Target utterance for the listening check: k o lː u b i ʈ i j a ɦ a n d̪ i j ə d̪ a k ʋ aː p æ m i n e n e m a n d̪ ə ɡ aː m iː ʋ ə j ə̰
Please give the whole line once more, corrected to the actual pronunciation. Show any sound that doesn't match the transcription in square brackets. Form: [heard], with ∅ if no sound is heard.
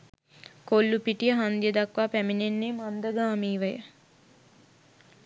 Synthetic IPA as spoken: k o lː u [p] i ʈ i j [ə] ɦ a n d̪ i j ə d̪ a k ʋ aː p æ m i n e [nː] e m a n d̪ ə ɡ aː m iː ʋ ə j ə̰